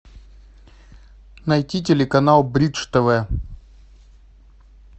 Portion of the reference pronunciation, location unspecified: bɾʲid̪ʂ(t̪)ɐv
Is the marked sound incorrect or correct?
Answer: correct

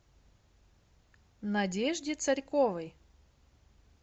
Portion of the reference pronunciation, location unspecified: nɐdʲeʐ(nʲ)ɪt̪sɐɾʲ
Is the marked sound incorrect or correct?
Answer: incorrect: dʲ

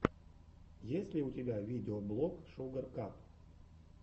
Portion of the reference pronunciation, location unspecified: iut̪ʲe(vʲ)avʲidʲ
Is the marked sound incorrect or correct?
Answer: incorrect: bʲ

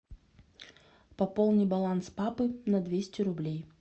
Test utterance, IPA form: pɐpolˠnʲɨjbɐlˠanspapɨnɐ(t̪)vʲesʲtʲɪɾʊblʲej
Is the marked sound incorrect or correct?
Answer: incorrect: d̪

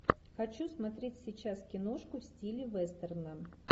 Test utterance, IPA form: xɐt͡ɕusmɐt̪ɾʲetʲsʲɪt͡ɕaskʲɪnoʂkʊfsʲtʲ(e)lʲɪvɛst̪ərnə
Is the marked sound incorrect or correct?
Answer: incorrect: i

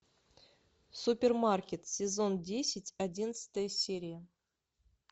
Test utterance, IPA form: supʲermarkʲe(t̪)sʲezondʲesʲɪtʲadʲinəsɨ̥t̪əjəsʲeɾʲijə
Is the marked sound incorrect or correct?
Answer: correct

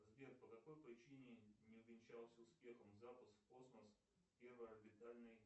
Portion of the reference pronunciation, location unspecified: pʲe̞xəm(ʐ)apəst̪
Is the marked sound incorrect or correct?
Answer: incorrect: z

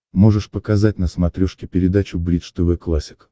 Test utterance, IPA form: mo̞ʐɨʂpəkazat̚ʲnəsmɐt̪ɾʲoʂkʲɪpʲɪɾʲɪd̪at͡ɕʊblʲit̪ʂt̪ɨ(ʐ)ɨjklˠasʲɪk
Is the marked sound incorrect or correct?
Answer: incorrect: v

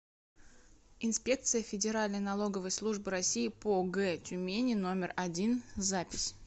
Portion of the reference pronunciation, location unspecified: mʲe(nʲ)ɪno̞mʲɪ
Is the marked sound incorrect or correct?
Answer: correct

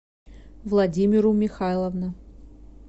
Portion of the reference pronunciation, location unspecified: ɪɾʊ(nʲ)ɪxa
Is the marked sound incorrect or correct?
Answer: incorrect: mʲ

